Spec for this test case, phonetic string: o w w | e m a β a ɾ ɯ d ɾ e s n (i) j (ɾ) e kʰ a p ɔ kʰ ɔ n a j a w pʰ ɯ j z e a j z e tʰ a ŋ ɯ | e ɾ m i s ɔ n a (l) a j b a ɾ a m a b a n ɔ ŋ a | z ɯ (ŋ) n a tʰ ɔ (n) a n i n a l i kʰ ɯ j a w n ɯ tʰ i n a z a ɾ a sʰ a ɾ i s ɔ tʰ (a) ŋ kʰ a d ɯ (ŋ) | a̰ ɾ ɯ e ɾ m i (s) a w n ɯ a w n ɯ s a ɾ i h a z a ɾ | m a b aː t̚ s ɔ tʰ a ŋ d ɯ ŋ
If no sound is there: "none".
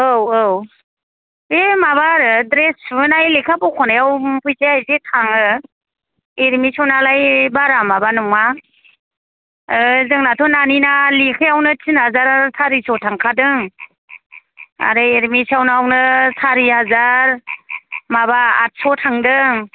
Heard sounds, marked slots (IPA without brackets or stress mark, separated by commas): a, l, l, ŋ, n, a, ŋ, s